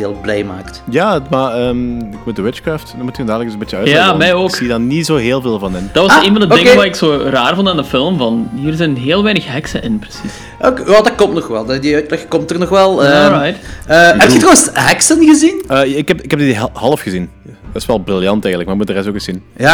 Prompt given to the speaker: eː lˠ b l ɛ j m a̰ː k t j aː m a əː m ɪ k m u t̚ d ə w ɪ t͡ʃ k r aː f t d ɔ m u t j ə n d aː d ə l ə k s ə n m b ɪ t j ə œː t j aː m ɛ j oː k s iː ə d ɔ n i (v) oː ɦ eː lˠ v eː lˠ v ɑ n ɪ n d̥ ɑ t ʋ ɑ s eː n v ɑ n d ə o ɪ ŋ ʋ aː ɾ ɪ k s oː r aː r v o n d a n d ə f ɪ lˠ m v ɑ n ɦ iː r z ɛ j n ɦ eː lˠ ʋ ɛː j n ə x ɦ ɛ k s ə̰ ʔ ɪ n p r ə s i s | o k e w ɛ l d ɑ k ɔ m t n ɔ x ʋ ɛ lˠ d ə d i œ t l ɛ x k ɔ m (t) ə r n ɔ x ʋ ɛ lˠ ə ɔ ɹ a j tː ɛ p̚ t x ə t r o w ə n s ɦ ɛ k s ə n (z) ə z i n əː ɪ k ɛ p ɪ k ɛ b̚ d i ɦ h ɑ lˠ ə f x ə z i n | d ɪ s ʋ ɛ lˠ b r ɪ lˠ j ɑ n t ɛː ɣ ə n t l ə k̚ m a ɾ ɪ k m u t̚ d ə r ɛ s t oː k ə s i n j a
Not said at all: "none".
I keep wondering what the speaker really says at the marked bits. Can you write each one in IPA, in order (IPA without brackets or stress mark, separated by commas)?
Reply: z, t, ɣ